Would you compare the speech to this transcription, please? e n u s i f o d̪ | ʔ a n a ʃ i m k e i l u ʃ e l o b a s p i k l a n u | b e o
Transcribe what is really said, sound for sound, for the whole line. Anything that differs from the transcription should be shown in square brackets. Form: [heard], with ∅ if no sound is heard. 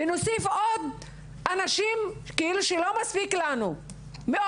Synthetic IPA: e n [o] s i f o d̪ | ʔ a n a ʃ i m k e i l u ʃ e l o [m] a s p i k l a n u | [m] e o